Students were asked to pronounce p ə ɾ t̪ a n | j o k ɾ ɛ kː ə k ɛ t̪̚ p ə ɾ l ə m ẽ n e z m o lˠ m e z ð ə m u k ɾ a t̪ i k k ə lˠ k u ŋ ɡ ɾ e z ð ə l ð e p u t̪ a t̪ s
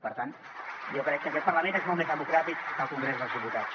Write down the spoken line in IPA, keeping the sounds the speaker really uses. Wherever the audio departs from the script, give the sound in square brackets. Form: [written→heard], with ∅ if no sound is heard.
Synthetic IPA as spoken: p ə ɾ t̪ a n | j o k ɾ ɛ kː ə k ɛ t̪̚ p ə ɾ l ə m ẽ n e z m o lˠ m e z ð ə m u k ɾ a t̪ i k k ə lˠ k u ŋ ɡ ɾ e z ð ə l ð [e→i] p u t̪ a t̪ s